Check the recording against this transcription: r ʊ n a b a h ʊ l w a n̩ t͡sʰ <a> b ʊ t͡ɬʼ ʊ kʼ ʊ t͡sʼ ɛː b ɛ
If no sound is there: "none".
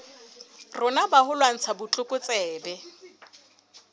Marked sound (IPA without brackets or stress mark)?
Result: a